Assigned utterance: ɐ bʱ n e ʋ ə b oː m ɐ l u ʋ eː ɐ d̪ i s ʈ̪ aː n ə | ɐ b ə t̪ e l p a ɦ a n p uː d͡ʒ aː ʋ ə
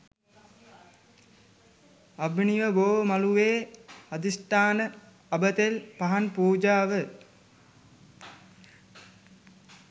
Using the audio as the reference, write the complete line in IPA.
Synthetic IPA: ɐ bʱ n i ʋ ə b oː m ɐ l u ʋ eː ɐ d̪ i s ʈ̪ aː n ə | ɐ b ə t̪ e l p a ɦ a n p uː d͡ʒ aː ʋ ə